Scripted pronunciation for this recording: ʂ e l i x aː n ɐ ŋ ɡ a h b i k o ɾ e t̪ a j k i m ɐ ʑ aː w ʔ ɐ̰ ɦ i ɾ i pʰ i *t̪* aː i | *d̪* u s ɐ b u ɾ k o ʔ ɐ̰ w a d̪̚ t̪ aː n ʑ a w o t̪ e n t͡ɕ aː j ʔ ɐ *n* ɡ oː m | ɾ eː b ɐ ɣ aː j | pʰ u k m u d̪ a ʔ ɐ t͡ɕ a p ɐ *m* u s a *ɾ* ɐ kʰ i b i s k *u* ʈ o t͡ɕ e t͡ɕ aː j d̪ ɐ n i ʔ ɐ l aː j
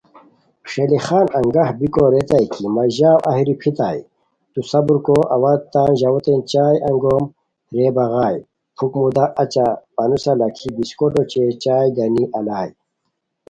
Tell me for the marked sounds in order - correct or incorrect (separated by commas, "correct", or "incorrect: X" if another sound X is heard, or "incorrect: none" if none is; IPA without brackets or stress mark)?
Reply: correct, incorrect: t̪, incorrect: ŋ, incorrect: n, incorrect: l, incorrect: o